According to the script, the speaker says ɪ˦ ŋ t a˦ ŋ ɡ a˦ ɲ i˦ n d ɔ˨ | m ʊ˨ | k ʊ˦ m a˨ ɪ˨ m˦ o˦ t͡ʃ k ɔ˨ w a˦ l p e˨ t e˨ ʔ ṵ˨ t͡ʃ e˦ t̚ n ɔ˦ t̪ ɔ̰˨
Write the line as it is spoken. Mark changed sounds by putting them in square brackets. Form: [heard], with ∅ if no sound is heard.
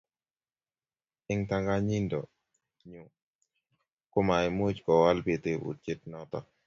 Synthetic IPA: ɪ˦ ŋ t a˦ ŋ ɡ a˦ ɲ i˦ n d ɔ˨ | [ɲ] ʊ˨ | k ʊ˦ m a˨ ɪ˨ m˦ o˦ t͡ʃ k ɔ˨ w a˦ l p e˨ t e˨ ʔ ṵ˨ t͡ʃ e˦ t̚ n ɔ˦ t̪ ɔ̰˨